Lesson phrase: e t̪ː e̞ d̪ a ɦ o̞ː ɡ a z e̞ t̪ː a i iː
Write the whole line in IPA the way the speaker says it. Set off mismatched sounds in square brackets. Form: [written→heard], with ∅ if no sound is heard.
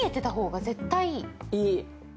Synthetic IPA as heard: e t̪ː e̞ [d̪→t̪] a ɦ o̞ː ɡ a z e̞ t̪ː a i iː